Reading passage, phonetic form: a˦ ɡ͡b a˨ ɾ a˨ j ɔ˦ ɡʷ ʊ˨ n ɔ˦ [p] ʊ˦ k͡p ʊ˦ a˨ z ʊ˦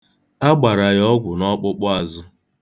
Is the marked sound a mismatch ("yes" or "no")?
yes